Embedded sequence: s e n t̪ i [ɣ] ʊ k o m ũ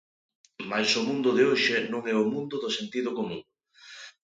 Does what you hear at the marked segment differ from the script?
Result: yes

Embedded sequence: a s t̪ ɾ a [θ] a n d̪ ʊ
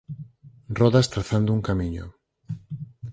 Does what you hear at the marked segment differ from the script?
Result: no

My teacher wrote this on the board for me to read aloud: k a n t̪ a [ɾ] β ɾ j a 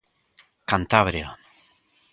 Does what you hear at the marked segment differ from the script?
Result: yes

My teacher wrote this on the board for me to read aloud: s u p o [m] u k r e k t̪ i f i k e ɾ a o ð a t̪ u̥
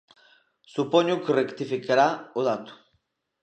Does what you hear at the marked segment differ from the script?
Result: yes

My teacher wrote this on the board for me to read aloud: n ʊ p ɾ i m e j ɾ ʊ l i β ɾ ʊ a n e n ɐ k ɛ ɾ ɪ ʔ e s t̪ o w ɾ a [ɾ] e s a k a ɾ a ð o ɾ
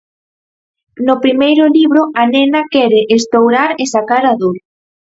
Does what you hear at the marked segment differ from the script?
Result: no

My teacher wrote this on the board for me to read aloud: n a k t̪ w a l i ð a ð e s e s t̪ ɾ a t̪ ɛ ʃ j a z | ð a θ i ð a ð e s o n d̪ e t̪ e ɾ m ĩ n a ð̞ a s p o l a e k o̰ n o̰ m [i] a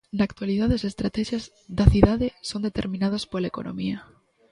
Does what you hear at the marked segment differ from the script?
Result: no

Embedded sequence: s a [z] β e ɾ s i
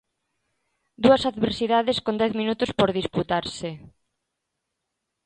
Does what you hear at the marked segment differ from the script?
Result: yes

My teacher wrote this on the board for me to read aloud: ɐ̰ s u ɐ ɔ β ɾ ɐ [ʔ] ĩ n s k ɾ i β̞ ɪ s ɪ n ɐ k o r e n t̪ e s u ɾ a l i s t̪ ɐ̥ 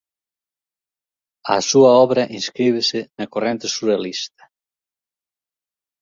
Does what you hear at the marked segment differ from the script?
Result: no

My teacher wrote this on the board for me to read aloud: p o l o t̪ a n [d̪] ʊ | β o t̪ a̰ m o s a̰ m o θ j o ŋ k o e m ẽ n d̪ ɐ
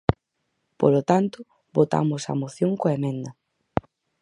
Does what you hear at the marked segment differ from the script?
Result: yes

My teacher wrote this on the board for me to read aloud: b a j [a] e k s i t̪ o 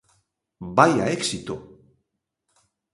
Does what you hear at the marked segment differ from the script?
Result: no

